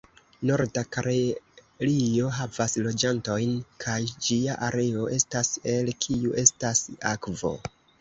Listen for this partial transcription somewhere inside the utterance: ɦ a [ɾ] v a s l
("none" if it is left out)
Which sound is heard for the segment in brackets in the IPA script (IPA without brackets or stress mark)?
none